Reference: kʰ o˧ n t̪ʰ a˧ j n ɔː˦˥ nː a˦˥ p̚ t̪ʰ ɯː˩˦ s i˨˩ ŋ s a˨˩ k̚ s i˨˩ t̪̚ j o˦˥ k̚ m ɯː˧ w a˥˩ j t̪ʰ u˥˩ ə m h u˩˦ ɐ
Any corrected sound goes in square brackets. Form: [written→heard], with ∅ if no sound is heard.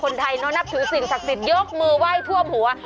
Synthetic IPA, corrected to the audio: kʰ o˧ n t̪ʰ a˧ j n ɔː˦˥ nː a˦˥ p̚ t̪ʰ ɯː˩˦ s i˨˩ ŋ s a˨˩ k̚ s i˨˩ t̪̚ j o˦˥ k̚ m ɯː˧ w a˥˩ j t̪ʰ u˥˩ ə m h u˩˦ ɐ